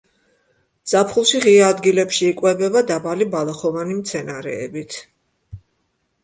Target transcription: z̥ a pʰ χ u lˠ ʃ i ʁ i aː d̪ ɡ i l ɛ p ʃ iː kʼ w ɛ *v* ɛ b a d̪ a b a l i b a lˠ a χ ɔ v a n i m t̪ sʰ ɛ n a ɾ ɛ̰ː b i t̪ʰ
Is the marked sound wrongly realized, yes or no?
yes